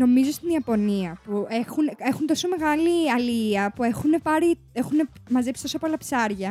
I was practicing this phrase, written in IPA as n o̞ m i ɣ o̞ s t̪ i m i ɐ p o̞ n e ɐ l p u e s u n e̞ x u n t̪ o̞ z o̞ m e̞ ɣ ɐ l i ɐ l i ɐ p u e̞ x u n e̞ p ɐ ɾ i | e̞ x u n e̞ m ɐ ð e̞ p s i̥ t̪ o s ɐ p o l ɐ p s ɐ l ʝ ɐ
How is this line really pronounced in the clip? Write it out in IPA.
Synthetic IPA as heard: n o̞ m i z o̞ s t̪ i n i ɐ p o̞ n i ɐ p u e x u n e̞ x u n t̪ o̞ s o̞ m e̞ ɣ ɐ l i ɐ l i ɐ p u e̞ x u n e̞ p ɐ ɾ i | e̞ x u n e̞ m ɐ z e̞ p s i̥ t̪ o s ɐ p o l ɐ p s ɐ ɾ ʝ ɐ